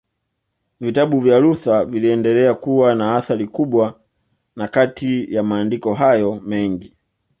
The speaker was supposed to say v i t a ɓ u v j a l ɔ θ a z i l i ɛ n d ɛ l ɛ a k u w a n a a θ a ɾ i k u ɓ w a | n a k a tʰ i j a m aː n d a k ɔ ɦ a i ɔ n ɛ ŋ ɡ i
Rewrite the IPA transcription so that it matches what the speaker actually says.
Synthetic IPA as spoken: v i t a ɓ u v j a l u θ a v i l i ɛ n d ɛ l ɛ a k u w a n a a θ a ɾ i k u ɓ w a | n a k a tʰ i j a m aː n d i k ɔ ɦ a j ɔ m ɛ ŋ ɡ i

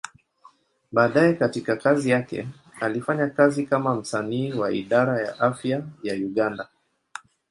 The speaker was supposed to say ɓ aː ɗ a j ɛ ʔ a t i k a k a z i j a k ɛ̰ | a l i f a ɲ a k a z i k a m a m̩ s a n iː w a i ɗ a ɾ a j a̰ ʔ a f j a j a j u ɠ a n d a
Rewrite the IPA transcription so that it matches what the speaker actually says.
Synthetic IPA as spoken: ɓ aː ɗ a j ɛ k a t i k a k a z i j a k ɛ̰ | a l i f a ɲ a k a z i k a m a m̩ s a n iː w a i ɗ a ɾ a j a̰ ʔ a f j a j a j u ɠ a n d a

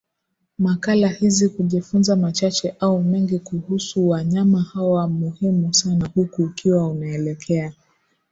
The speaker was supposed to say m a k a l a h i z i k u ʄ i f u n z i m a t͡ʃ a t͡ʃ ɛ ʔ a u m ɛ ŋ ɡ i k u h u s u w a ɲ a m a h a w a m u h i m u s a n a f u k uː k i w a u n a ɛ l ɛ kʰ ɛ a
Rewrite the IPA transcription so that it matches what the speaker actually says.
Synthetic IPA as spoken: m a k a l a h i z i k u ʄ i f u n z a m a t͡ʃ a t͡ʃ ɛ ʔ a u m ɛ ŋ ɡ i k u h u s u w a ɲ a m a h a w a m u h i m u s a n a h u k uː k i w a u n a ɛ l ɛ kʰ ɛ a

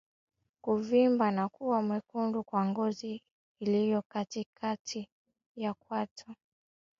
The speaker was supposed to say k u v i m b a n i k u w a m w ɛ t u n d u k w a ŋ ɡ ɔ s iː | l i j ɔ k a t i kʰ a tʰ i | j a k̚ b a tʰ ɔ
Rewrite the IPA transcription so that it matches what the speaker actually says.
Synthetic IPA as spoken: k u v i m b a n a k u w a m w ɛ k u n d u k w a ŋ ɡ ɔ z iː | l i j ɔ k a t i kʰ a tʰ i | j a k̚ w a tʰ ɔ

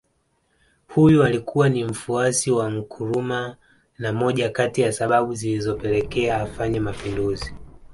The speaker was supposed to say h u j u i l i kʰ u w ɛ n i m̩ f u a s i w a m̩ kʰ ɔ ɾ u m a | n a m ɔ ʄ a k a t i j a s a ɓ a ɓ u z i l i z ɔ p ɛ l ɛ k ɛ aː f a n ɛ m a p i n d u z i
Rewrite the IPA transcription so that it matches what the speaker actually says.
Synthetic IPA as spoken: h u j u a l i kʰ u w a n i m̩ f u a s i w a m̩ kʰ u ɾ u m a | n a m ɔ ʄ a k a t i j a s a ɓ a ɓ u z i l i z ɔ p ɛ l ɛ k ɛ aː f a ɲ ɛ m a p i n d u z i

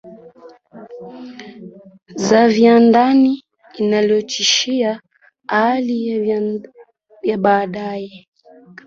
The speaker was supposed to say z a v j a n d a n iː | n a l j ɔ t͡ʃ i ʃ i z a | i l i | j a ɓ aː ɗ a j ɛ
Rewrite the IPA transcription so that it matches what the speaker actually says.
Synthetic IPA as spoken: z a v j a n d a n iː | n a l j ɔ t͡ʃ i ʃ i a | a l i | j a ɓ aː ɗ a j ɛ

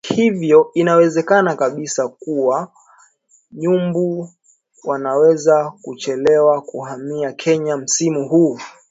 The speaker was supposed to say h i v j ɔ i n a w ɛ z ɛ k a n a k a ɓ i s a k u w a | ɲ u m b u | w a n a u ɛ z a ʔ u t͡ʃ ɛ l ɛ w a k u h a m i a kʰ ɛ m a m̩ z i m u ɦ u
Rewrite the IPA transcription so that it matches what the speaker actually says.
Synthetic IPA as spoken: h i v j ɔ i n a w ɛ z ɛ k a n a k a ɓ i s a k u w a | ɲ u m b u | w a n a w ɛ z a k u t͡ʃ ɛ l ɛ w a k u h a m i a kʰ ɛ ɲ a m̩ s i m u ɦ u

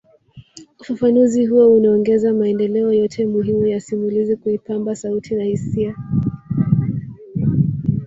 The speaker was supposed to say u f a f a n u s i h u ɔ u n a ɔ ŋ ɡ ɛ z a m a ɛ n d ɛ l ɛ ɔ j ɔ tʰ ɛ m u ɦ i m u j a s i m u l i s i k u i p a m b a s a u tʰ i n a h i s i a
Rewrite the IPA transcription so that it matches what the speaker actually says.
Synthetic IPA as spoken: u f a f a n u z i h u ɔ u n a ɔ ŋ ɡ ɛ z a m a ɛ n d ɛ l ɛ ɔ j ɔ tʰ ɛ m u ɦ i m u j a s i m u l i z i k u i p a m b a s a u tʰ i n a h i s i a

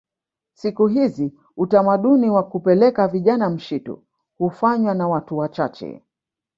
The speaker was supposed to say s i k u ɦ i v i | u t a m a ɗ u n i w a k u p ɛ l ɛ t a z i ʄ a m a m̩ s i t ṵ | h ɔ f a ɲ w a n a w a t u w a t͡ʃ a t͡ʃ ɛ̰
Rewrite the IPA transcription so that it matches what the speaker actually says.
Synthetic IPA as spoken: s i k u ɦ i z i | u t a m a ɗ u n i w a k u p ɛ l ɛ k a v i ʄ a n a m̩ ʃ i t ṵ | h u f a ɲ w a n a w a t u w a t͡ʃ a t͡ʃ ɛ̰

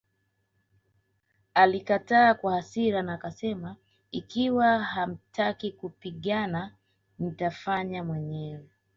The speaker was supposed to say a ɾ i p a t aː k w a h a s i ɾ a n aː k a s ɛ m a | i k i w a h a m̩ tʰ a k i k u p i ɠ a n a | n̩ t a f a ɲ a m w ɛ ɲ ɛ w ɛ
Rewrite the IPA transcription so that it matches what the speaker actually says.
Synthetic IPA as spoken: a l i k a t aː k w a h a s i ɾ a n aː k a s ɛ m a | i k i w a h a m̩ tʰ a k i k u p i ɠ a n a | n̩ t a f a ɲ a m w ɛ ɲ ɛ w ɛ

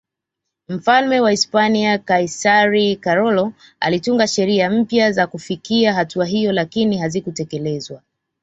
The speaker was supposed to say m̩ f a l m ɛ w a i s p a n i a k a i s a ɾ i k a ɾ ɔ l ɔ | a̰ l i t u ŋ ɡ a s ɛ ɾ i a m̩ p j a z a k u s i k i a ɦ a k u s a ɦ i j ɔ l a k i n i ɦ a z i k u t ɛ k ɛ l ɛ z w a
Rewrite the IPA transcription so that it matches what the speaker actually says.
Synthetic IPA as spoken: m̩ f a l m ɛ w a i s p a n i a k a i s a ɾ i k a ɾ ɔ l ɔ | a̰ l i t u ŋ ɡ a ʃ ɛ ɾ i a m̩ p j a z a k u f i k i a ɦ a t u a ɦ i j ɔ l a k i n i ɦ a z i k u t ɛ k ɛ l ɛ z w a

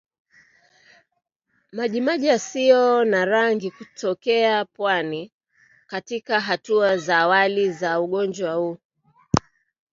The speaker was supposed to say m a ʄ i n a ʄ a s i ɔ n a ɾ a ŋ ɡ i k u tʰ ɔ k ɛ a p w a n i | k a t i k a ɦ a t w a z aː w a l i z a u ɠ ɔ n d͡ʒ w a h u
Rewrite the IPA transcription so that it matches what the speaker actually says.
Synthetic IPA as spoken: m a ʄ i m a ʄ a s i ɔ n a ɾ a ŋ ɡ i k u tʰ ɔ k ɛ a p w a n i | k a t i k a ɦ a t u a z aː w a l i z a u ɠ ɔ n d͡ʒ w a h u

